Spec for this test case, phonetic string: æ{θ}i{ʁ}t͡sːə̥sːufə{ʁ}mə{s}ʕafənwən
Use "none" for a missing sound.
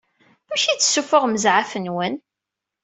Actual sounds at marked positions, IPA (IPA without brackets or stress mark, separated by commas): ʃ, none, ʁ, z